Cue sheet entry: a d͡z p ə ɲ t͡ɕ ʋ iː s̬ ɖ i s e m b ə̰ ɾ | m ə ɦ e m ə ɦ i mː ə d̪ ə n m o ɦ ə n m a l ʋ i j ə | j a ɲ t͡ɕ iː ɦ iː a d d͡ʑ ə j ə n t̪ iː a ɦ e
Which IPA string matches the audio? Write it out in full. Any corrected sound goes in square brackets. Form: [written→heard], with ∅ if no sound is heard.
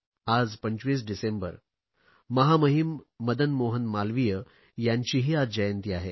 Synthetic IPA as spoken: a d͡z p ə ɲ t͡ɕ ʋ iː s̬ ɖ i s e m b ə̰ ɾ | m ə ɦ [e→a] m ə ɦ i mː ə d̪ ə n m o ɦ ə n m a l ʋ i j ə | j a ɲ t͡ɕ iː ɦ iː a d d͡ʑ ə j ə n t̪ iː a ɦ e